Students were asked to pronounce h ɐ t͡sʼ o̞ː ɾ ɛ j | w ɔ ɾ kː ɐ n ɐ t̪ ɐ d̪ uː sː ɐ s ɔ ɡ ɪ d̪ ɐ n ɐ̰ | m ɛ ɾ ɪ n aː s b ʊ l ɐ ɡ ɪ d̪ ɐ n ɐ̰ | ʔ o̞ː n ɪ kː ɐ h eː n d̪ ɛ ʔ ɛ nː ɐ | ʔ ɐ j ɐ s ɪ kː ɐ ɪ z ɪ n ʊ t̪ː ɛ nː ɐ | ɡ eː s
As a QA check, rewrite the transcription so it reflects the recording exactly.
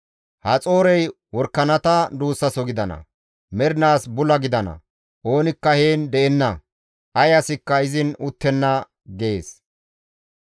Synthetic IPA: h ɐ t͡sʼ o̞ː ɾ ɛ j | w ɔ ɾ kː ɐ n ɐ t̪ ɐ d̪ uː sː ɐ s ɔ ɡ ɪ d̪ ɐ n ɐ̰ | m ɛ ɾ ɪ n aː s b ʊ l ɐ ɡ ɪ d̪ ɐ n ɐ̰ | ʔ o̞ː n ɪ kː ɐ h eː n d̪ ɛ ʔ ɛ nː ɐ | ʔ ɐ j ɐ s ɪ kː ɐ ɪ z ɪ n ʊ t̪ː ɛ nː ɐ | ɡ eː s